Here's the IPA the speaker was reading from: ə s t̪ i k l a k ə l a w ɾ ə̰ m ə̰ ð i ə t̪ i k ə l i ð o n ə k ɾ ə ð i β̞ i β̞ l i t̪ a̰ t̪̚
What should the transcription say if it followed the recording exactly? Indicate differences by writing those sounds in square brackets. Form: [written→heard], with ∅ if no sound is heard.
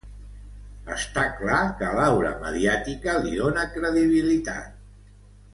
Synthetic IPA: ə s t̪ [i→a] k l a k ə l a w ɾ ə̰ m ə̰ ð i [ə→a] t̪ i k ə l i ð o n ə k ɾ ə ð i β̞ i [β̞→∅] l i t̪ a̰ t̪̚